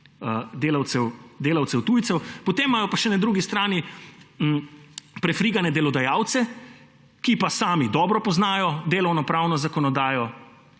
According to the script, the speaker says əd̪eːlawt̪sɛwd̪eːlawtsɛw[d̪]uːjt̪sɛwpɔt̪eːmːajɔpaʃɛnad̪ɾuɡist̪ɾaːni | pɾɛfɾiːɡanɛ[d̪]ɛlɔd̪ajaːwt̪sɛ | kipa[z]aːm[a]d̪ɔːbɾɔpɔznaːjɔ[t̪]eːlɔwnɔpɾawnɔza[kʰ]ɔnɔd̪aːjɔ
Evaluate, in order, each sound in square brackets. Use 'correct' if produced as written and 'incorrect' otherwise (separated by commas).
incorrect, correct, incorrect, incorrect, incorrect, incorrect